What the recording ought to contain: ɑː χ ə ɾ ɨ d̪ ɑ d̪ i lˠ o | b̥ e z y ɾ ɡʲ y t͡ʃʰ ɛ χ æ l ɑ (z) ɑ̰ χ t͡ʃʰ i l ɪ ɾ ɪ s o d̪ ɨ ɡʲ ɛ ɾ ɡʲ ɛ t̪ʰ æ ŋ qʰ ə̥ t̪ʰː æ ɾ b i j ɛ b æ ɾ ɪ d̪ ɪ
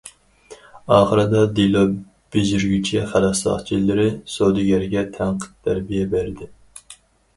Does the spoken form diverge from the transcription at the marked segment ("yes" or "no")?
yes